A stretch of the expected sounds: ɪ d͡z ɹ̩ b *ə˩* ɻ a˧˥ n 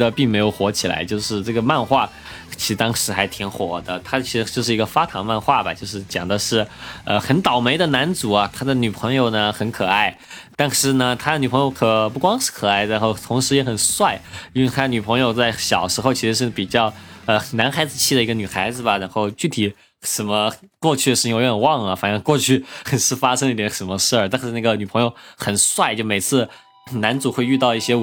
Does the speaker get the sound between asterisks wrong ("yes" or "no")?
yes